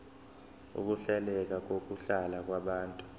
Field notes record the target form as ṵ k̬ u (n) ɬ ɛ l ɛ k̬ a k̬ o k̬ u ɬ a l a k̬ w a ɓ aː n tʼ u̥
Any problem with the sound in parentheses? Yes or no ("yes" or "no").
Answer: yes